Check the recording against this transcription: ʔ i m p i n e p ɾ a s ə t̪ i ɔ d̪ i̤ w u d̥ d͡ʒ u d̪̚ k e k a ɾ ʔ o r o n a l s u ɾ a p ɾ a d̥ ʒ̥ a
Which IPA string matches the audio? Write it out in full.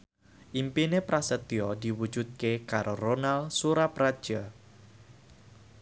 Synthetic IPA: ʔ i m p i n e p ɾ a s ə t̪ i ɔ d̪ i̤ w u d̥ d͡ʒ u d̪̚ k e k a ɾ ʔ o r o n a l s u ɾ a p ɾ a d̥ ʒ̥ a